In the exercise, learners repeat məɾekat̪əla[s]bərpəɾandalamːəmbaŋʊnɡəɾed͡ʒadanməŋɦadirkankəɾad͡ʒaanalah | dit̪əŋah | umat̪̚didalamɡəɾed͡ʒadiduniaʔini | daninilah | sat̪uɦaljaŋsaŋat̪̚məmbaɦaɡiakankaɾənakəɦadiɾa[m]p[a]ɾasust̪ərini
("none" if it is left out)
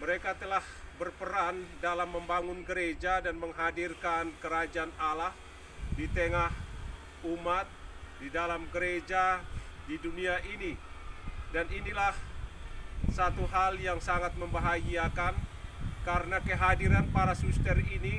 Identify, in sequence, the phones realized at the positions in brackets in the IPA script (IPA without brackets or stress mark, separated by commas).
h, n, a